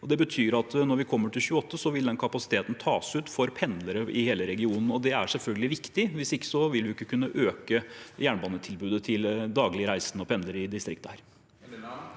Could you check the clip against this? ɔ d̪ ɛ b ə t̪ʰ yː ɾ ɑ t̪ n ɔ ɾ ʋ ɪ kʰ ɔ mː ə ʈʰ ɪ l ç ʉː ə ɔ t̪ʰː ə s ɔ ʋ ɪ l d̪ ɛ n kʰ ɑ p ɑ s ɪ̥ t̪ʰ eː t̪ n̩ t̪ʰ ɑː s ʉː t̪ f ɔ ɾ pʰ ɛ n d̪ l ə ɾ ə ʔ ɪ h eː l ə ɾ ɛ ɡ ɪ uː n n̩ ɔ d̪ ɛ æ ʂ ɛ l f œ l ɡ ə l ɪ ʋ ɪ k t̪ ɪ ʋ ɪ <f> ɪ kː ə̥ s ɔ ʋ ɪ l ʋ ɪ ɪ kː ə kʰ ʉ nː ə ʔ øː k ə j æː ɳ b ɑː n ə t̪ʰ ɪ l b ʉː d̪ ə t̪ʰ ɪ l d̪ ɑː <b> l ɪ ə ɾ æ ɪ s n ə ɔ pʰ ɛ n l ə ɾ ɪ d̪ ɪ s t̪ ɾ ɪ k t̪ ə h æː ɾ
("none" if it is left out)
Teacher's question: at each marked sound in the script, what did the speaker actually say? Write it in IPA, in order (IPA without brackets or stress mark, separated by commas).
s, ɡ